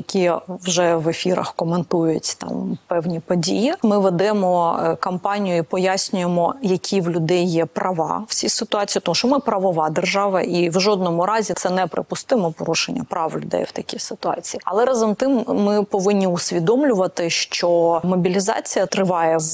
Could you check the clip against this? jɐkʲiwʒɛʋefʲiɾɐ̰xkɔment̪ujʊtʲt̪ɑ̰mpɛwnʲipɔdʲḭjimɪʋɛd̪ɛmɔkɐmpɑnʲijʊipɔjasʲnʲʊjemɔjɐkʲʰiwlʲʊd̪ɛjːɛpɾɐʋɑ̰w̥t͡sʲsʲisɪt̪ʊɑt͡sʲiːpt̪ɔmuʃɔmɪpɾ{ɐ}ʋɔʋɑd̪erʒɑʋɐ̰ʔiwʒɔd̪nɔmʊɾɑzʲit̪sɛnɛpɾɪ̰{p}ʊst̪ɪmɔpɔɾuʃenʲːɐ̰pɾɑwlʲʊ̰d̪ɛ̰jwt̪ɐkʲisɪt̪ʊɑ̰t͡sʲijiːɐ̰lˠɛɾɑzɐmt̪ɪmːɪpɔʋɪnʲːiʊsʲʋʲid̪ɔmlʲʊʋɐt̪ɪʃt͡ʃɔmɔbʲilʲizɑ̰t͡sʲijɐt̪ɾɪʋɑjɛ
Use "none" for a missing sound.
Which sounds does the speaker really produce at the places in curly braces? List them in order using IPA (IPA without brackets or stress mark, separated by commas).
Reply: ɐ, p